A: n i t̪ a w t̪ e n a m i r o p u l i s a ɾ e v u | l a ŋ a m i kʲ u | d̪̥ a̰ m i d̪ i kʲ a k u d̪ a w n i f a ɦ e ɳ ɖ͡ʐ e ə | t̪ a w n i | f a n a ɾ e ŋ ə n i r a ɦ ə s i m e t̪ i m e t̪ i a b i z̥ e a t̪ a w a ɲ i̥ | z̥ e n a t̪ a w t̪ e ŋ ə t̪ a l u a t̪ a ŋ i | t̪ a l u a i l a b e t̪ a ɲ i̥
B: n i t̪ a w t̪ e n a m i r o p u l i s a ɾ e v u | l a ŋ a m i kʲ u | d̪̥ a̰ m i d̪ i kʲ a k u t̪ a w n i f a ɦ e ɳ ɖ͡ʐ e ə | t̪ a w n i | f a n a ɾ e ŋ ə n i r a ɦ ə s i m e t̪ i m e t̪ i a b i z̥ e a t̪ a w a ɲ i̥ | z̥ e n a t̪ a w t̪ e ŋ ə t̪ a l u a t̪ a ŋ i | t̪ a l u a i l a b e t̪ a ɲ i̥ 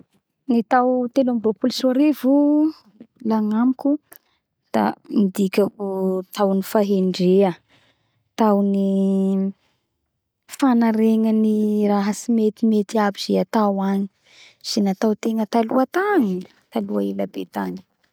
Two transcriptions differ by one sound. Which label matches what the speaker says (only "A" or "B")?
B